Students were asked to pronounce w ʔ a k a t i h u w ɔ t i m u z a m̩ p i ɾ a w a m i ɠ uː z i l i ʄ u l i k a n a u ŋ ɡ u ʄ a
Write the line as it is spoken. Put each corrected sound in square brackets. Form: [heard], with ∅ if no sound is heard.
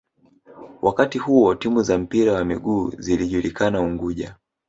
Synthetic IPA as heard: w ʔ a k a t i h u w ɔ t i m u z a m̩ p i ɾ a w a m i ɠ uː z i l i ʄ u l i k a n a u ŋ ɡ u ʄ a